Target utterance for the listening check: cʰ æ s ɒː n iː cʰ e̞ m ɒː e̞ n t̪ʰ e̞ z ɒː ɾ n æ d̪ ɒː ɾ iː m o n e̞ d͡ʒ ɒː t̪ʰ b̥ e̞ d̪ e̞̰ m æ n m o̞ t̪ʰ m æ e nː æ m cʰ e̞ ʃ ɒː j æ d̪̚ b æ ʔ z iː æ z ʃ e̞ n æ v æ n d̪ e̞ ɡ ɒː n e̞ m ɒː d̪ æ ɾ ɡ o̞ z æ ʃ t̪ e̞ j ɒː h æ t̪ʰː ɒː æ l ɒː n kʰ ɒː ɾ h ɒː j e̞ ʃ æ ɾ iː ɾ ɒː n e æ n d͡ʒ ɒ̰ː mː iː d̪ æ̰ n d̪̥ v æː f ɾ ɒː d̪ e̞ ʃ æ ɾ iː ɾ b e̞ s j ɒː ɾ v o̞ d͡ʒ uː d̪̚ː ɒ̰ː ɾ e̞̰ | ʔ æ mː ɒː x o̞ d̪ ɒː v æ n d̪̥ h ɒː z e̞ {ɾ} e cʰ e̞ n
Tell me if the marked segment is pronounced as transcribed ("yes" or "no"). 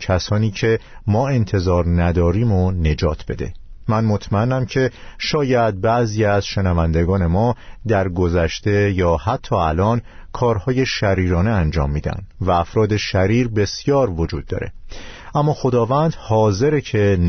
yes